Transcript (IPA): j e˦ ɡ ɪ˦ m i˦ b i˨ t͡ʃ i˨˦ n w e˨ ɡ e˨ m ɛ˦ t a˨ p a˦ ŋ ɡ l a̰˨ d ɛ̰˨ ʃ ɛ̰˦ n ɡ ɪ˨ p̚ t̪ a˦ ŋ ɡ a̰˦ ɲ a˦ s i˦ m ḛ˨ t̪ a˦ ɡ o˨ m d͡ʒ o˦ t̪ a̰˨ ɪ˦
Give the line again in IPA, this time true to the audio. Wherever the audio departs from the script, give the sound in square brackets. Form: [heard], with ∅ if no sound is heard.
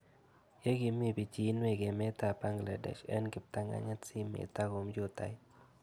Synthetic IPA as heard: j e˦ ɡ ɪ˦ m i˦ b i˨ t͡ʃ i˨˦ n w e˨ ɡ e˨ m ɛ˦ t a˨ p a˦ ŋ ɡ l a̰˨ d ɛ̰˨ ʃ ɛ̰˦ n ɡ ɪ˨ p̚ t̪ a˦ ŋ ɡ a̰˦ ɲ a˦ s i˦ m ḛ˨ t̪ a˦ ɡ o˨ m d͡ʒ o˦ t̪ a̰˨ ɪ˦